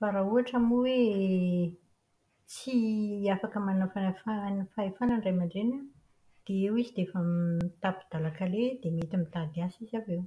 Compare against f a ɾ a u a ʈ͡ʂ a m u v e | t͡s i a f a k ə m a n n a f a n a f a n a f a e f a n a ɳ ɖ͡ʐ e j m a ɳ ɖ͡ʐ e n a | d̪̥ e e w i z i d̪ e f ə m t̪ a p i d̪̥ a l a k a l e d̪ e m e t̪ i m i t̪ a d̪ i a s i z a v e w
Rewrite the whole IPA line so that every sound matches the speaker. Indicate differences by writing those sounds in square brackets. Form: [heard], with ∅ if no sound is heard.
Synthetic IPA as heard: f a ɾ a u a ʈ͡ʂ a m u [w] e | t͡s i a f a k ə m a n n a f a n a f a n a f a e f a n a ɳ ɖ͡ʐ [a] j m a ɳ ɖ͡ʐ e n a | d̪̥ e e w i z i d̪ e f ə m t̪ a p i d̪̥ a l a k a l e d̪ e m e t̪ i m i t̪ a d̪ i a s i z a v e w